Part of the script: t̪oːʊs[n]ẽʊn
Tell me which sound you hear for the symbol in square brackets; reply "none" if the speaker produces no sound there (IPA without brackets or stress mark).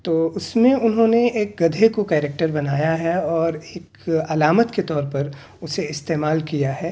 m